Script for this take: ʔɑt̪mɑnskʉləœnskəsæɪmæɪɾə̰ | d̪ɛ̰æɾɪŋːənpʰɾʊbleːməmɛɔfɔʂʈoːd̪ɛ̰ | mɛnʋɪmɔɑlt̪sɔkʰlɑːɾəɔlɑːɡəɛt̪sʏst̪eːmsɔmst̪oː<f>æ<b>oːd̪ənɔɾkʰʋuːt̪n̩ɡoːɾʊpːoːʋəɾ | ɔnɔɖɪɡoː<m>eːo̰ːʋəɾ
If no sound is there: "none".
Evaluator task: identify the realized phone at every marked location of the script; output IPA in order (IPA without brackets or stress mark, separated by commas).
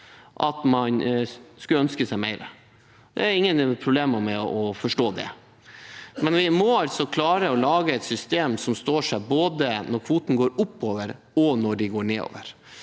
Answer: ʂ, b, ɳ